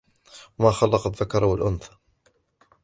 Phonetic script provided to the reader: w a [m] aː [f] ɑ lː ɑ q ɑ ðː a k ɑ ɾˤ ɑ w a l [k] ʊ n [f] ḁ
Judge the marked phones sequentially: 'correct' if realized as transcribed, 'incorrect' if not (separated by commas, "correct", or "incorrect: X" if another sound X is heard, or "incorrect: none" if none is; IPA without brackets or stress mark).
correct, incorrect: x, incorrect: ʔ, incorrect: θ